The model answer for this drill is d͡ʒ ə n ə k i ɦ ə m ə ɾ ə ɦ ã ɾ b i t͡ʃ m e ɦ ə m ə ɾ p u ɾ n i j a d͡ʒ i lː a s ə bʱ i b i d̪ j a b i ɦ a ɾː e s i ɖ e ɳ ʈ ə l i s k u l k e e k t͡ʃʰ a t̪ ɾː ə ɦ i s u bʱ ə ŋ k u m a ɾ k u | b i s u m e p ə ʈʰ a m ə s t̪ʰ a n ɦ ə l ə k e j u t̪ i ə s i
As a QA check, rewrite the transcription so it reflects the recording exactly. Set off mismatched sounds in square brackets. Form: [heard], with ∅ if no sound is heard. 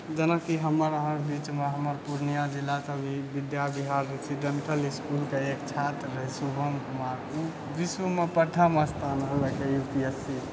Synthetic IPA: d͡ʒ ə n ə k i ɦ ə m ə ɾ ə ɦ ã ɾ b i t͡ʃ m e ɦ ə m ə ɾ p u ɾ n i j a d͡ʒ i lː a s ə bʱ i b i d̪ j a b i ɦ a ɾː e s i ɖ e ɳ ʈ ə l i s k u l k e e k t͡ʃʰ a t̪ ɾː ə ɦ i s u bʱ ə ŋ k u m a ɾ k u | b i s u m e p ə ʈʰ a m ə s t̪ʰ a n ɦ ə l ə k e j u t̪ i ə s i